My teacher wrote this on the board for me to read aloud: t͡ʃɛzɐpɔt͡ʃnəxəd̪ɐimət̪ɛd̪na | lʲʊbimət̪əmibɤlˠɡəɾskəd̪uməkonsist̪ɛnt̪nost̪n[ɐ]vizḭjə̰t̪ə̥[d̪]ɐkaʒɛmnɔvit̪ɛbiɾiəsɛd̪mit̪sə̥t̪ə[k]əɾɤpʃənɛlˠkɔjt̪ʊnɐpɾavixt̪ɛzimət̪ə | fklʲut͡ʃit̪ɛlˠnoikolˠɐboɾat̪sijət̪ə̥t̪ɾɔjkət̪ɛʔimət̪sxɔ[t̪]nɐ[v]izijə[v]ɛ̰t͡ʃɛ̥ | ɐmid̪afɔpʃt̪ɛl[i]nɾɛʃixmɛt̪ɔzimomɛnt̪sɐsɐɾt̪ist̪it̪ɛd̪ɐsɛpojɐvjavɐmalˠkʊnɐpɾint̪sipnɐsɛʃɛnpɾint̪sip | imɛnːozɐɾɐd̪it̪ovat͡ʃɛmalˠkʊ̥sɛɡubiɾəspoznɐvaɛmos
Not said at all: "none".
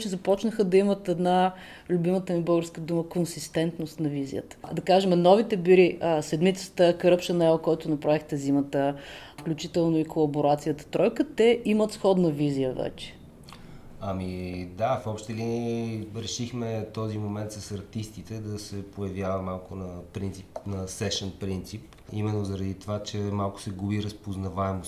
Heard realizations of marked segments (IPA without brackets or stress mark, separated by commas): ɐ, d̪, k, d̪, v, v, i